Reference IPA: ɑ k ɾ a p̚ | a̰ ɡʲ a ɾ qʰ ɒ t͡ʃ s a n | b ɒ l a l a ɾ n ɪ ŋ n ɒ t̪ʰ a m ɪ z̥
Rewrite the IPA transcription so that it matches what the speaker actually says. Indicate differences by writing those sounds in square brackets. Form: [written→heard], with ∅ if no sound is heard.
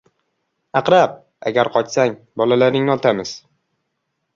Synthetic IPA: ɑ [k→q] ɾ a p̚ | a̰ ɡʲ a ɾ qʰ ɒ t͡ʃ s a [n→ŋ] | b ɒ l a l a ɾ n ɪ ŋ n ɒ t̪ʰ a m ɪ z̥